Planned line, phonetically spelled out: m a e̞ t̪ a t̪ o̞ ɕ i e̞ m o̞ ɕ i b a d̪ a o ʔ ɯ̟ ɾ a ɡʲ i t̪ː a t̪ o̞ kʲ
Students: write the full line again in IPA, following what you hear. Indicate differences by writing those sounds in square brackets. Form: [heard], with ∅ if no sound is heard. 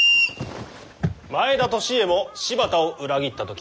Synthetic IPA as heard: m a e̞ [d̪] a t̪ o̞ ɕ i e̞ m o̞ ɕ i b a [t̪] a o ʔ ɯ̟ ɾ a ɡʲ i t̪ː a t̪ o̞ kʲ